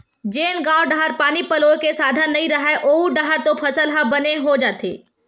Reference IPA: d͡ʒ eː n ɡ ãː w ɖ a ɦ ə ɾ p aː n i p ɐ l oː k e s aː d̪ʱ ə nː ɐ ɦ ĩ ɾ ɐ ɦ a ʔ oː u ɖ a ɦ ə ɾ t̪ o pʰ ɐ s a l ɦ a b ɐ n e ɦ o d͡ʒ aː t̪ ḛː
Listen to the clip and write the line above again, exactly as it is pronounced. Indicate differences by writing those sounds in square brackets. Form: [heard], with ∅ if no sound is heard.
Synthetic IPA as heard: d͡ʒ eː n ɡ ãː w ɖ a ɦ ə ɾ p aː n i p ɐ l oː k e s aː d̪ʱ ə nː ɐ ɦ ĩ ɾ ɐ ɦ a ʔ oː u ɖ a ɦ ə ɾ t̪ o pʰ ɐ s [ə] l ɦ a b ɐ n e ɦ o d͡ʒ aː t̪ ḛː